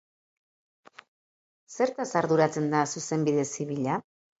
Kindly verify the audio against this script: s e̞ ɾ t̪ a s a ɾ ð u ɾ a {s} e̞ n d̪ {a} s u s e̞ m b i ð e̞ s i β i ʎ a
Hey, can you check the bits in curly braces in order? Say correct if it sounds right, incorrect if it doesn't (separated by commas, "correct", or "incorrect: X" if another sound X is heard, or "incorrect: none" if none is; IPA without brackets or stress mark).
incorrect: t͡s, correct